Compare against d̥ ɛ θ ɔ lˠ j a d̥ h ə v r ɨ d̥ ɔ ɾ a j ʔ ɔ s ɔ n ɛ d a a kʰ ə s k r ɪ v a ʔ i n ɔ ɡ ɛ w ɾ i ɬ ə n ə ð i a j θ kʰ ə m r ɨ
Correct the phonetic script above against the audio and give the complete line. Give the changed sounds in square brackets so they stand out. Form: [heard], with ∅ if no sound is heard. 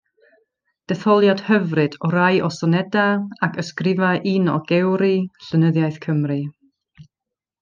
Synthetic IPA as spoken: d̥ ɛ θ ɔ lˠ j a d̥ h ə v r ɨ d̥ ɔ ɾ a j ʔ ɔ s ɔ n ɛ d a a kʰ ə s k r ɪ v a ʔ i n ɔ ɡ ɛ w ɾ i ɬ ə n ə ð [j] a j θ kʰ ə m r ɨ

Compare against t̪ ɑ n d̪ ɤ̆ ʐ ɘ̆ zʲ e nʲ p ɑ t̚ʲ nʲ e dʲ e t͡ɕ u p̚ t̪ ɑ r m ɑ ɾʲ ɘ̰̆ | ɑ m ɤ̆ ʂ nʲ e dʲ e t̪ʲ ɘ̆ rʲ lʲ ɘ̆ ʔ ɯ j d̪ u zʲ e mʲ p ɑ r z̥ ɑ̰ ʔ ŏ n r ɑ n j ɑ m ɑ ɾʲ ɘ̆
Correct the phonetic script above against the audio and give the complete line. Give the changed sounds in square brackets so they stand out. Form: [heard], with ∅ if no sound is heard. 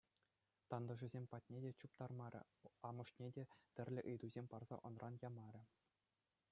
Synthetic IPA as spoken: t̪ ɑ n d̪ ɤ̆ ʐ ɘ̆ zʲ e [mʲ] p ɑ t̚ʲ nʲ e dʲ e t͡ɕ u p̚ t̪ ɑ r m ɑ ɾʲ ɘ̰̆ | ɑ m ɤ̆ ʂ nʲ e dʲ e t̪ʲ ɘ̆ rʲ lʲ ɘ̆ ʔ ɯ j d̪ u zʲ e mʲ p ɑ r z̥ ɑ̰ ʔ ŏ n r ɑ n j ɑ m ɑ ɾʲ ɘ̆

